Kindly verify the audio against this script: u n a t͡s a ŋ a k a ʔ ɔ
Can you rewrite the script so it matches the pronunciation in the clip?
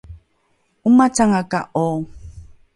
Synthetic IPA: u m a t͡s a ŋ a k a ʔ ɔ